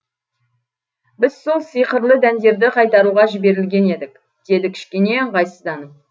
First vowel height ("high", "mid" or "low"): high